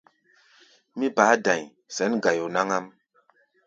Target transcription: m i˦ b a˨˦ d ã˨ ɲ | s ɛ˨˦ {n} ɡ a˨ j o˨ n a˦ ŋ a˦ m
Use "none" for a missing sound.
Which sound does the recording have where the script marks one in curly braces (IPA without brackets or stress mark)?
n